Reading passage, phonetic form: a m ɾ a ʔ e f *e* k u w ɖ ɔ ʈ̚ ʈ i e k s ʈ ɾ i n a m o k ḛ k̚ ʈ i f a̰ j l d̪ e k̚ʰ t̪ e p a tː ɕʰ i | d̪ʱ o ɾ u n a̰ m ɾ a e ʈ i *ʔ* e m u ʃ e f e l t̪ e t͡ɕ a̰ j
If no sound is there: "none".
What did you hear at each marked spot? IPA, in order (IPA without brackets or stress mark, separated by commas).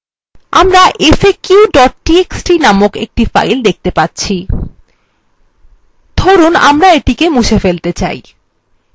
e, k